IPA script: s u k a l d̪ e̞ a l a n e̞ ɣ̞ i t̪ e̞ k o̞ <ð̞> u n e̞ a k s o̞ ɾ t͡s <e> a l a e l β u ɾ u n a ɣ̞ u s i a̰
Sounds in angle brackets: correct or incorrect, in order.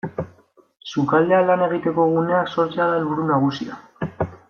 incorrect, correct

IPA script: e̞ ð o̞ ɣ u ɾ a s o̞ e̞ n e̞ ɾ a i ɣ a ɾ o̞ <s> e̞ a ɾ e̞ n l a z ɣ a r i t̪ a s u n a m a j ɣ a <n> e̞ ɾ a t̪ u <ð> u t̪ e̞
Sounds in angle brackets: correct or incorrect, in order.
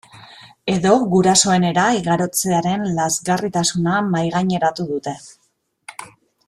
incorrect, incorrect, correct

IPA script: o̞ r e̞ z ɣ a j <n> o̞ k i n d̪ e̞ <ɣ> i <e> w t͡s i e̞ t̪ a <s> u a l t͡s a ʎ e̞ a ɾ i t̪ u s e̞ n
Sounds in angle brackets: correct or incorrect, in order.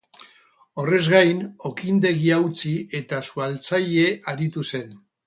correct, correct, incorrect, correct

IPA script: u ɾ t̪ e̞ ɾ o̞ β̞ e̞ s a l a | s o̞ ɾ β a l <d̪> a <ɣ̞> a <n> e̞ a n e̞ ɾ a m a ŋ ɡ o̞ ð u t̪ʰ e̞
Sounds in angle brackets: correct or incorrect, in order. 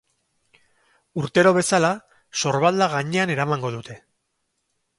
correct, correct, incorrect

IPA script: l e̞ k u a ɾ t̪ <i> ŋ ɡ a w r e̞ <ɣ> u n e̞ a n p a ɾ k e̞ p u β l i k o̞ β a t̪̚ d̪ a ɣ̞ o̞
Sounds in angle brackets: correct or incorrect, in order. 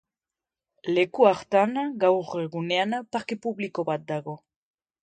incorrect, correct

